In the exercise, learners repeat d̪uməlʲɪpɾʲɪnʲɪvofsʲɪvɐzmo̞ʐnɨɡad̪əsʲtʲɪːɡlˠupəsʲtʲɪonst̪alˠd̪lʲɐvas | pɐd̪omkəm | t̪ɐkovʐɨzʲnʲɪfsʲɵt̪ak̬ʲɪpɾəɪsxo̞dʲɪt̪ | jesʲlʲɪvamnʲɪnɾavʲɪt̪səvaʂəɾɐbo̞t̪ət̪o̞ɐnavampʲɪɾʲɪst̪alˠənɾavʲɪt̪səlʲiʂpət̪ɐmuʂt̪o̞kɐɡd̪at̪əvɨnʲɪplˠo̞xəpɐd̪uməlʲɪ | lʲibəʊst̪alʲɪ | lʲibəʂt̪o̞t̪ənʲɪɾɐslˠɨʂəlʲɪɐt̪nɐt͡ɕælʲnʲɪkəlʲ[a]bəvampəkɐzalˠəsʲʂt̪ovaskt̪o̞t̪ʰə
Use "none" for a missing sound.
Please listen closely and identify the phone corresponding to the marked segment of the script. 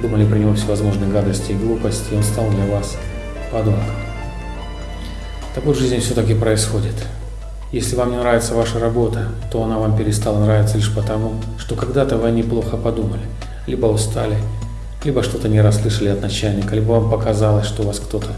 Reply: i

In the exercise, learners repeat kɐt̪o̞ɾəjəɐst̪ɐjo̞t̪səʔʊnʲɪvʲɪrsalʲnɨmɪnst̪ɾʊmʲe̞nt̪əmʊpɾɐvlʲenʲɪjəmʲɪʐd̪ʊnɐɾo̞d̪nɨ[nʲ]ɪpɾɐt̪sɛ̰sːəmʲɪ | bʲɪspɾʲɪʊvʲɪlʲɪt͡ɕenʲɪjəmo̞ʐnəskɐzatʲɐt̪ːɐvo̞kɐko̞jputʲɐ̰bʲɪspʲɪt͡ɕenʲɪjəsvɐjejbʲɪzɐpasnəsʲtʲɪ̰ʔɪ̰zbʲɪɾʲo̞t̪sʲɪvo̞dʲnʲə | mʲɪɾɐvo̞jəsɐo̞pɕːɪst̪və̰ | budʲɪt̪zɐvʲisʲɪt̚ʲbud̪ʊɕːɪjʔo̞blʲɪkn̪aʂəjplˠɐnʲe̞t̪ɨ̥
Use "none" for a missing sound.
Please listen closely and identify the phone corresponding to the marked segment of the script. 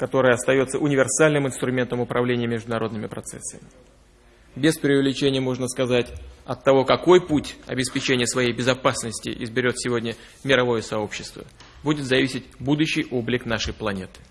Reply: mʲ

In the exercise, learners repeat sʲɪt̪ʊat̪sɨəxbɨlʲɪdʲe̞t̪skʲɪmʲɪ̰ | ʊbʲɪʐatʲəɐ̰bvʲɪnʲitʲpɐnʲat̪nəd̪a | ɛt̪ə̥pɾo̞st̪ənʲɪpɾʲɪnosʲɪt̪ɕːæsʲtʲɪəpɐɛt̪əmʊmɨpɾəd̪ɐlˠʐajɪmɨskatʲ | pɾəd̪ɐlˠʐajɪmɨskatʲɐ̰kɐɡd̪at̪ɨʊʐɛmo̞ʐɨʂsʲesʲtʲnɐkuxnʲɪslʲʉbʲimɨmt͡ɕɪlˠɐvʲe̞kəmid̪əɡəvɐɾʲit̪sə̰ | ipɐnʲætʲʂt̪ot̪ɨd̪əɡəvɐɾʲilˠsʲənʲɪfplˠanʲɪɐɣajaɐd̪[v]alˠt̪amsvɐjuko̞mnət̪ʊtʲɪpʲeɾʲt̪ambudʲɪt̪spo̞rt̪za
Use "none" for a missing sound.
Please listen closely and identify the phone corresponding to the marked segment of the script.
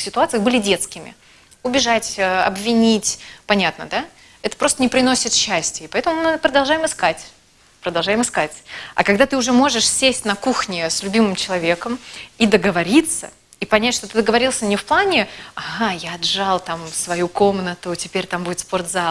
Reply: ʐ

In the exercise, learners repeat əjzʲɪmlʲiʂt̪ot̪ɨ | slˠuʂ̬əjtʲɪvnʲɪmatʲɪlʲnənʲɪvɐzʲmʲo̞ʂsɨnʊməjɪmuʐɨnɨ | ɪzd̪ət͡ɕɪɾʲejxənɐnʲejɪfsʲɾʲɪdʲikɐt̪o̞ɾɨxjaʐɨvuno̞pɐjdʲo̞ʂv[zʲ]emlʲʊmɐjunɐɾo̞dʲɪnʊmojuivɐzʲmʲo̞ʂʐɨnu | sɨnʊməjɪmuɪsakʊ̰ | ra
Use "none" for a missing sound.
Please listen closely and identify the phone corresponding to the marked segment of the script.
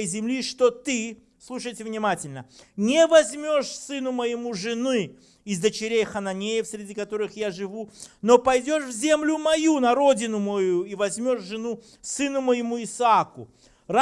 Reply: zʲ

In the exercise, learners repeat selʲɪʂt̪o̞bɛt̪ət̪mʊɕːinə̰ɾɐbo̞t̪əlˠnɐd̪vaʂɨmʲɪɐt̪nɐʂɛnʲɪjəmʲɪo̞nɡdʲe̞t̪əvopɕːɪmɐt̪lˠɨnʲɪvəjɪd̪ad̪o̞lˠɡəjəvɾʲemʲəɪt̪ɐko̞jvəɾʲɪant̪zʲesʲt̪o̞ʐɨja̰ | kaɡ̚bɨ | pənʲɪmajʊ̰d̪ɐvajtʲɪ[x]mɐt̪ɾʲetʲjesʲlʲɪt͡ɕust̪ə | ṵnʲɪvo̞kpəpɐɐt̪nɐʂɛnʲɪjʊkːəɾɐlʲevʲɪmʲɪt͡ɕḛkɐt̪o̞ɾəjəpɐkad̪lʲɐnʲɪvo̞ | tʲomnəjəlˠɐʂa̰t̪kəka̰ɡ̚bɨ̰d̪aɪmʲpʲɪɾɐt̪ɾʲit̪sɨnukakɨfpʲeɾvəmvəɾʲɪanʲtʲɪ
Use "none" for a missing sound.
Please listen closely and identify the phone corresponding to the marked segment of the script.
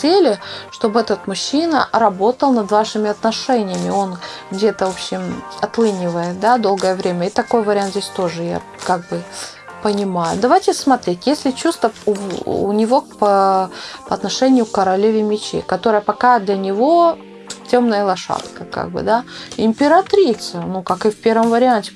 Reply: s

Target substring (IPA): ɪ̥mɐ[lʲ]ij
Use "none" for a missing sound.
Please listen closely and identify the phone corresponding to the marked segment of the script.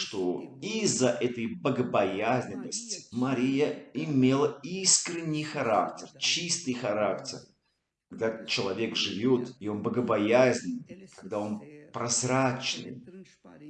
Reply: ɾʲ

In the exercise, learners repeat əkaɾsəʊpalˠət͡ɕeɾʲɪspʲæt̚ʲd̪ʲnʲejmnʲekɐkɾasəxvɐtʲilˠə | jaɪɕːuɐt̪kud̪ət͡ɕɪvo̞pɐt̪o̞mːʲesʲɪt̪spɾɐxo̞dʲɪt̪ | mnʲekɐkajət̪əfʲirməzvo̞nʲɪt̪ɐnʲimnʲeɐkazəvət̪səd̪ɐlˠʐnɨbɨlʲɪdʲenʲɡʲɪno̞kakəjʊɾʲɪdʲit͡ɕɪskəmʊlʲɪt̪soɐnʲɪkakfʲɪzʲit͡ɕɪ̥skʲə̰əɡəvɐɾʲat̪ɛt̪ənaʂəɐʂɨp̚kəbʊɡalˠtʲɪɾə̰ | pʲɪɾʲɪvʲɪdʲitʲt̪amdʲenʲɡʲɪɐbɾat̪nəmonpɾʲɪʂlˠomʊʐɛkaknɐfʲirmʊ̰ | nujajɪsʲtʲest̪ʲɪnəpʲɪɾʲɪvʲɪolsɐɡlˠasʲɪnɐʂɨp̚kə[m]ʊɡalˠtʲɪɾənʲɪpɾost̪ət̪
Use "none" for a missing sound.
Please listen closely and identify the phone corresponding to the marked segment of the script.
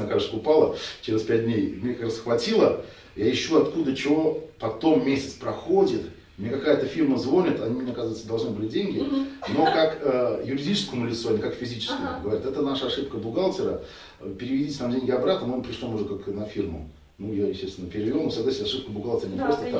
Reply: b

